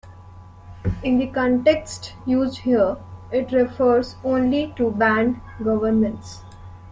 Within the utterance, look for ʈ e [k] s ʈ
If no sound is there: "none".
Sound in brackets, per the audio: k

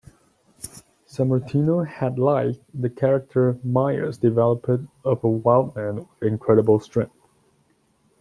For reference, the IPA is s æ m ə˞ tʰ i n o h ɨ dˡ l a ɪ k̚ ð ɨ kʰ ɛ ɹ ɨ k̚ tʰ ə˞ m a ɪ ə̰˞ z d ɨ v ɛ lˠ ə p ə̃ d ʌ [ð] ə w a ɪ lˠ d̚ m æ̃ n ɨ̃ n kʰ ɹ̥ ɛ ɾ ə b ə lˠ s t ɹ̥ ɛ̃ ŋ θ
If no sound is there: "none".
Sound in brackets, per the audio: v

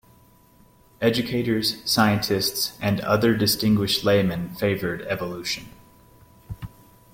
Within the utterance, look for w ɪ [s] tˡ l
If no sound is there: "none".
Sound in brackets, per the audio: ʃ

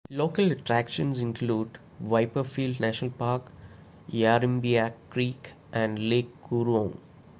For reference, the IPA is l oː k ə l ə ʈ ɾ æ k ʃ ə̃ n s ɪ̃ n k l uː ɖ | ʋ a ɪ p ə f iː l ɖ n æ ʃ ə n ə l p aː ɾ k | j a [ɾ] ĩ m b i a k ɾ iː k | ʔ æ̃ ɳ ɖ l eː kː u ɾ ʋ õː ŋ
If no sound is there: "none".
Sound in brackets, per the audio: ɾ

